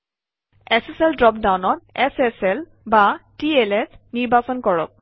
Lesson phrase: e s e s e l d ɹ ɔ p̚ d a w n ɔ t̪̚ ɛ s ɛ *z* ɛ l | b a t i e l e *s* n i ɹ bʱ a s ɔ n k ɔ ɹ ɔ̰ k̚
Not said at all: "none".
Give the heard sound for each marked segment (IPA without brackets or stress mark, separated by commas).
s, s